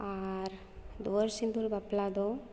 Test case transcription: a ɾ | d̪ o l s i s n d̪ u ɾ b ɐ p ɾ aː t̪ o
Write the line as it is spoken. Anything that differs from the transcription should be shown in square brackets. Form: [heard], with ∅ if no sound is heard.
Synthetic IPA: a ɾ | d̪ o [ɾ] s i [∅] n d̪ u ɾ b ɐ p [l] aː [d̪] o